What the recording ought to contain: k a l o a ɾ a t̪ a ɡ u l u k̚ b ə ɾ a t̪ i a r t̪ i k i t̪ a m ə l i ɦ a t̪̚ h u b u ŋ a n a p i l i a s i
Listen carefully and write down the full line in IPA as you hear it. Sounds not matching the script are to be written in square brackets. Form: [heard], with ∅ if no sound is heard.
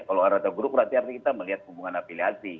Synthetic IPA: k a l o a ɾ a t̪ a ɡ u [ɾ] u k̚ b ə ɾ a t̪ i a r t̪ i k i t̪ a m ə l i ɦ a t̪̚ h u b u ŋ a n a p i l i a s i

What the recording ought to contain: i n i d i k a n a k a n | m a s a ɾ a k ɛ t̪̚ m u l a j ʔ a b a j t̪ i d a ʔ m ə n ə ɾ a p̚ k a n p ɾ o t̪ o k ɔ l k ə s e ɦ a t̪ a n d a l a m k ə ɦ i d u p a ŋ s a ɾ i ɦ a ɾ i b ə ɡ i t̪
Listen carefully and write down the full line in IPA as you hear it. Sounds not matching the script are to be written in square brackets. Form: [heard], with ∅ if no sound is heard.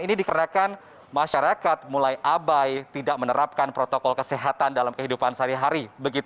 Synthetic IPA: i n i d i k [ə] n a k a n | m a [ʃ] a ɾ a k [a] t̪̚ m u l a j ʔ a b a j t̪ i d a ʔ m ə n ə ɾ a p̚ k a n p ɾ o t̪ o k ɔ l k ə s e ɦ a t̪ a n d a l a m k ə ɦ i d u p a [n] s a ɾ i ɦ a ɾ i b ə ɡ i t̪

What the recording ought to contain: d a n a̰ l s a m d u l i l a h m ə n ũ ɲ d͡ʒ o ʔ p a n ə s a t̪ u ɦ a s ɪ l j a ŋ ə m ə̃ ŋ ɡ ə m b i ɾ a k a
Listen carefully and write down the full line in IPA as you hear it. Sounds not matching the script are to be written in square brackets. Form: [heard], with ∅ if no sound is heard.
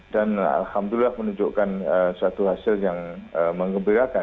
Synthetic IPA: d a n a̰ l [h] a m d u l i l a h m ə n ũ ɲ d͡ʒ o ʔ [k] a n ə s a t̪ u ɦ a s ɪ l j a ŋ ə m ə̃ ŋ ɡ ə m b i ɾ a k a

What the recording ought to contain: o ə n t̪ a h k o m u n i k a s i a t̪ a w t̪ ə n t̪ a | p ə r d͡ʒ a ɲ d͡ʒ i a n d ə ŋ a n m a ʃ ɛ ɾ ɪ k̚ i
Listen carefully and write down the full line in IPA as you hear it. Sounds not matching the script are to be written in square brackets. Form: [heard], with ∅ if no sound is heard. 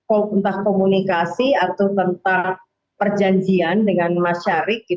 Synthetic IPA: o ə n t̪ a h k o m u n i k a s i a t̪ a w t̪ ə n t̪ a | p ə r d͡ʒ a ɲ d͡ʒ i a n d ə ŋ a n m a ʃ [a] ɾ ɪ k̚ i

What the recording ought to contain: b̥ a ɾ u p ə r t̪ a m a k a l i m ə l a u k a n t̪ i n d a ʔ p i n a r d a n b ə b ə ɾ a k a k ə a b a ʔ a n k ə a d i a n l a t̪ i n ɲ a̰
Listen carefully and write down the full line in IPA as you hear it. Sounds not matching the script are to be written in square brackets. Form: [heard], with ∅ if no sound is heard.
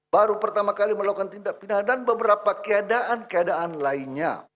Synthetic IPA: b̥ a ɾ u p ə r t̪ a m a k a l i m ə l a u k a n t̪ i n d a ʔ p i n a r d a n b ə b ə ɾ a [p] a k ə a [d] a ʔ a n k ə a d [a] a n l a [∅] i n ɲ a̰

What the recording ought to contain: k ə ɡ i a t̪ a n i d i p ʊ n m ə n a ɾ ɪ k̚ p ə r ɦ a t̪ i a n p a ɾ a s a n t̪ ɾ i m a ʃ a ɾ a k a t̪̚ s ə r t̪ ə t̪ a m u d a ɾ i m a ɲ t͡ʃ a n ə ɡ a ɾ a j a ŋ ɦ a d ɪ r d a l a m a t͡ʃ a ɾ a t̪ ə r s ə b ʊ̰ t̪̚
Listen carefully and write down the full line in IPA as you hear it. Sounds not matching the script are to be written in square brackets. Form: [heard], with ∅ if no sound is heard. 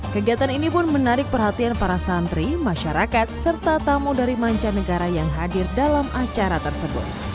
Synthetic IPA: k ə ɡ i a t̪ a n i [n] i p ʊ n m ə n a ɾ ɪ k̚ p ə r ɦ a t̪ i a n p a ɾ a s a n t̪ ɾ i m a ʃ a ɾ a k a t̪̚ s ə r t̪ [a] t̪ a m u d a ɾ i m a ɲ t͡ʃ a n ə ɡ a ɾ a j a ŋ ɦ a d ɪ r d a l a m a t͡ʃ a ɾ a t̪ ə r s ə b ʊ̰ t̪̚

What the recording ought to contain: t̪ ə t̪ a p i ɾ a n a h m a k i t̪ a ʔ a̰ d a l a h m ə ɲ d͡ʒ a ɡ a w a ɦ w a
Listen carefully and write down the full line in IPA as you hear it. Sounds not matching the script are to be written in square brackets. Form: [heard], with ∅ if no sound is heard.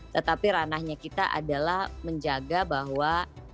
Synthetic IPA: t̪ ə t̪ a p i ɾ a n a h [ɲ] a k i t̪ a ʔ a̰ d a l a h m ə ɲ d͡ʒ a ɡ a [b] a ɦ w a

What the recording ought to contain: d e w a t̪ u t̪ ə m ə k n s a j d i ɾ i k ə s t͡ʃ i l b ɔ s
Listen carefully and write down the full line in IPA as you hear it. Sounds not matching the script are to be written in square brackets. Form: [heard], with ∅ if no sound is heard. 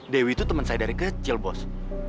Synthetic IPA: d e w [i] t̪ u t̪ ə m ə [∅] n s a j d [a] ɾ i k ə [∅] t͡ʃ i l b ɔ s

